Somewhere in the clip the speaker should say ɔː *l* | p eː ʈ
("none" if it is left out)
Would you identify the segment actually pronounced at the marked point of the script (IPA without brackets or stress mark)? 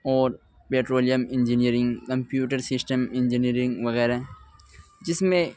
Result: ɾ